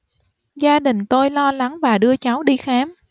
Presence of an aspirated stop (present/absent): absent